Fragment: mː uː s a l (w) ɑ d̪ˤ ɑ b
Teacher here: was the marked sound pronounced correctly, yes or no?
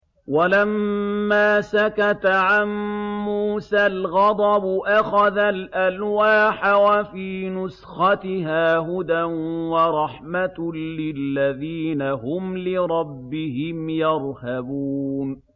no